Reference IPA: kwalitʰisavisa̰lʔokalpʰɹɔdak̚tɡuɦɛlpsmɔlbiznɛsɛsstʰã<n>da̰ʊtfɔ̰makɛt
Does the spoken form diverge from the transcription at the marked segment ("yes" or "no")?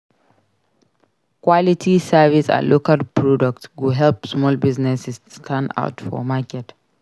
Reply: no